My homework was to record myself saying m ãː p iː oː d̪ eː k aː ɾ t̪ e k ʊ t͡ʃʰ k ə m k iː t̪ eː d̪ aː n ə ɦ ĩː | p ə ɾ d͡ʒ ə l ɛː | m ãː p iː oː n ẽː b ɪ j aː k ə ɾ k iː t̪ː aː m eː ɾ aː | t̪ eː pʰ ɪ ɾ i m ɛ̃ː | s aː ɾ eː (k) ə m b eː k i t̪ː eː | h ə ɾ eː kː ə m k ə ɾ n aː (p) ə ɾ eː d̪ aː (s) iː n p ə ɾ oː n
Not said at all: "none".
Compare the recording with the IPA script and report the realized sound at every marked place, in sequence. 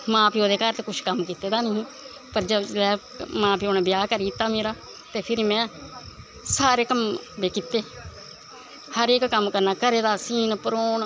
k, k, s

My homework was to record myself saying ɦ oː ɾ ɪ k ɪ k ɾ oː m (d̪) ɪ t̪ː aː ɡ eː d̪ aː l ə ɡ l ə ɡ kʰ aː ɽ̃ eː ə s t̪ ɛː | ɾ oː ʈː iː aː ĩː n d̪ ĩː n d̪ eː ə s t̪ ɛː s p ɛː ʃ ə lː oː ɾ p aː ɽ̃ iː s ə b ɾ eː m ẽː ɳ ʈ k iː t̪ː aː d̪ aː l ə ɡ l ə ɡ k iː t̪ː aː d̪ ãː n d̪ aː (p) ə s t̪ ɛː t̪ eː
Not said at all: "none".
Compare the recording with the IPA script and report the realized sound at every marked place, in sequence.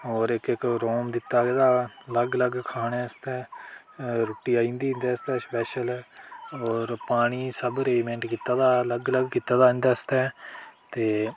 d̪, none

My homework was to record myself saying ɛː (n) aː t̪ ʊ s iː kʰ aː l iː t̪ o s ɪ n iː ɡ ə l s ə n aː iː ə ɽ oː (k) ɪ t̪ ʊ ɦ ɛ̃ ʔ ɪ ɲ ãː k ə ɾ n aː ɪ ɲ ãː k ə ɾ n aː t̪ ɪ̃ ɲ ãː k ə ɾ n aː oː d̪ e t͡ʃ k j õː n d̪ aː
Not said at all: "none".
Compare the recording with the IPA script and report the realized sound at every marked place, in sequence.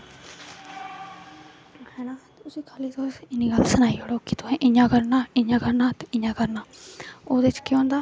n, k

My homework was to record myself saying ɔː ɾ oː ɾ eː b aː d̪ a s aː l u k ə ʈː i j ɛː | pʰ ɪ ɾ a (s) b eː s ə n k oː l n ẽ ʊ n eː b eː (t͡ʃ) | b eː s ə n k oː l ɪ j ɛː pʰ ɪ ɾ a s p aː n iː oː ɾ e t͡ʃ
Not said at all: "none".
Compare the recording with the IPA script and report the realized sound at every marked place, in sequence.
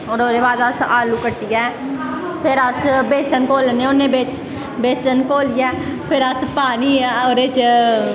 s, t͡ʃ

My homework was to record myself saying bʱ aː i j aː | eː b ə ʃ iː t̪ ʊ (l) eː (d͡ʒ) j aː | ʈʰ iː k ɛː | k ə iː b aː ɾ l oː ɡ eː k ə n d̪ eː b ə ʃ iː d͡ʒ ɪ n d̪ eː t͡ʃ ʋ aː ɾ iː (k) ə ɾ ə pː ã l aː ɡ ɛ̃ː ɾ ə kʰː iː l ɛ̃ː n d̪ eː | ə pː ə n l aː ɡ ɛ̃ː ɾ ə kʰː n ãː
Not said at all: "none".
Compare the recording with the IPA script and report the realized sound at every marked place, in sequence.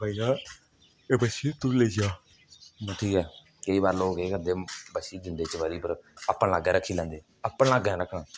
l, d͡ʒ, p

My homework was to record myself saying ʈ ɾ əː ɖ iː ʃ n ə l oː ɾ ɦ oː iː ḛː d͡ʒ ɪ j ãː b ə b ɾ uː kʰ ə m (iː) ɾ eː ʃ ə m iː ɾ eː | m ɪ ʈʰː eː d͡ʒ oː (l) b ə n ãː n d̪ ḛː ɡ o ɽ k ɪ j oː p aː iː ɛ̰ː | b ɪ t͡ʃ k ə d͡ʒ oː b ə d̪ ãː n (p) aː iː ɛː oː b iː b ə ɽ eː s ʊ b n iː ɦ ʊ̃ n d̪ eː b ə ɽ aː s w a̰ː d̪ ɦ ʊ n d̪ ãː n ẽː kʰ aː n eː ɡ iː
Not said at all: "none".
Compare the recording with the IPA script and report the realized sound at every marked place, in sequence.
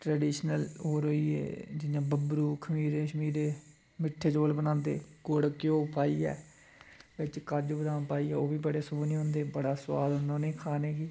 iː, l, p

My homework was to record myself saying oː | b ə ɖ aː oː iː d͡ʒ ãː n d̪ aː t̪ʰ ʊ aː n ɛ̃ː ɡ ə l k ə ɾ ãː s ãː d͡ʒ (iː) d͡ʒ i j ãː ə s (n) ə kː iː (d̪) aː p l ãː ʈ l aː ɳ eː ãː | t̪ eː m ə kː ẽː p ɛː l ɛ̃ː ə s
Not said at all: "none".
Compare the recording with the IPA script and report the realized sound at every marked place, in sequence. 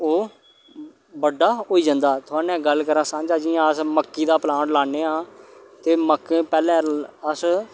aː, m, d̪

